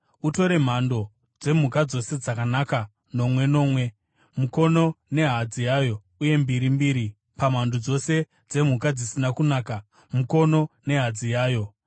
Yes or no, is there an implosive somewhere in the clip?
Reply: no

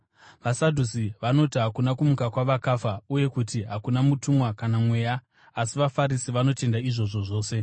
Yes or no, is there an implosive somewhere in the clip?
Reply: no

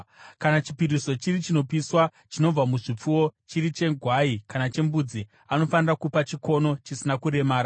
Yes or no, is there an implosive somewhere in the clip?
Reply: no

